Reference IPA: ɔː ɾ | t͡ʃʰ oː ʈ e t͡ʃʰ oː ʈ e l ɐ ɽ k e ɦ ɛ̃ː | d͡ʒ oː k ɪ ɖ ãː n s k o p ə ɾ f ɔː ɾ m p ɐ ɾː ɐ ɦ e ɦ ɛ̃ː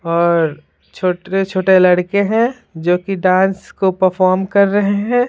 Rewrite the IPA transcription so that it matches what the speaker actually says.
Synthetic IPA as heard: ɔː ɾ | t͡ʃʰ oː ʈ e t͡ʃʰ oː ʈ e l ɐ ɽ k e ɦ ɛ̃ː | d͡ʒ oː k i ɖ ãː n s k o p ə ɾ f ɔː ɾ m k ɐ ɾː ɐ ɦ e ɦ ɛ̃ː